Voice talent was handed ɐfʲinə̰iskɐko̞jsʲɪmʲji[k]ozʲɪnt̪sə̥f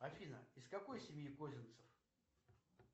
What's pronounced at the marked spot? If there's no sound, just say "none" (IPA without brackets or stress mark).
k